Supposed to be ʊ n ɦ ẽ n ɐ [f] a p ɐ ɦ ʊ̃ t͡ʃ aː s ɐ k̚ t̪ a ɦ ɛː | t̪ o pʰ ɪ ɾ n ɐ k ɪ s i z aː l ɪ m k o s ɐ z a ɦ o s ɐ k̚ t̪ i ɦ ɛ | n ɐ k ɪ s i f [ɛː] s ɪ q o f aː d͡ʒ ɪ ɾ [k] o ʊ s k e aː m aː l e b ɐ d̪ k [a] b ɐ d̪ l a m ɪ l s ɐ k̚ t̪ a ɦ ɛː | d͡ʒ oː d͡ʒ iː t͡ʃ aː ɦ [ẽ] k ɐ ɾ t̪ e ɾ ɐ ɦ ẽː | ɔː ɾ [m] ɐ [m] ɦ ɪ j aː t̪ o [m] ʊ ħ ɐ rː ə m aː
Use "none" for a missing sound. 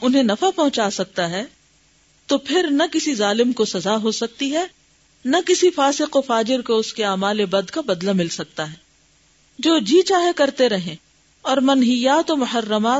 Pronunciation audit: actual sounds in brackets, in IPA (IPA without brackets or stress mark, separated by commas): f, aː, k, a, e, m, n, m